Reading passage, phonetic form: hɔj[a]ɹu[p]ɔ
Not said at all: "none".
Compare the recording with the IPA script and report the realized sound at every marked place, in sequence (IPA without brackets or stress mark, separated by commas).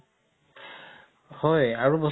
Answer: a, b